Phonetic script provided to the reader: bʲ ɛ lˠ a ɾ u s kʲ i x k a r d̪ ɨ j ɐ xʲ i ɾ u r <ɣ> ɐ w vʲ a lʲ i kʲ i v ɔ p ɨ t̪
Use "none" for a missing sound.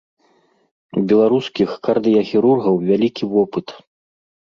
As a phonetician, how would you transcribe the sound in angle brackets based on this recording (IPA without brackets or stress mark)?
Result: ɣ